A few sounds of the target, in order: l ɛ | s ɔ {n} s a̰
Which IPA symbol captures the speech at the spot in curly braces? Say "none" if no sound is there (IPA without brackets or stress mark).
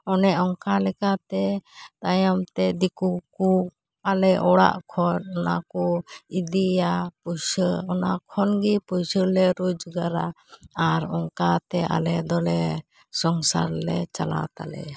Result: ŋ